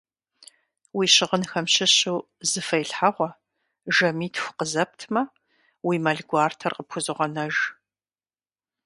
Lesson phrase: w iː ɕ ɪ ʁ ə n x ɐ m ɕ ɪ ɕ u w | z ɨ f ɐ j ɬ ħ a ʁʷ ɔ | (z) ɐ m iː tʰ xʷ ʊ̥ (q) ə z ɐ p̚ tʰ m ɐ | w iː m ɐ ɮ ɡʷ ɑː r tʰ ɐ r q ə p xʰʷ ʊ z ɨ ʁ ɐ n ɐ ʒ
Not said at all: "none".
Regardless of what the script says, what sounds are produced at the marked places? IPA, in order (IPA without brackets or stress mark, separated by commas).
ʒ, q